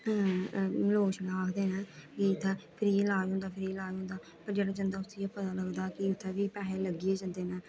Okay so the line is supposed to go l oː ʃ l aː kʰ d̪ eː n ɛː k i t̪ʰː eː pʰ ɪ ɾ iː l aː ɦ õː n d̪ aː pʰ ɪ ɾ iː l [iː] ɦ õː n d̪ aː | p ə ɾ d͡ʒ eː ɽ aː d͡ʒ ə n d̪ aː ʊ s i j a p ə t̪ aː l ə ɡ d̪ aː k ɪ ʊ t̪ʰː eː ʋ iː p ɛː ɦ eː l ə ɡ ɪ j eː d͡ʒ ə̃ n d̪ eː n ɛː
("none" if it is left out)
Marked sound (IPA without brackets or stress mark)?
aː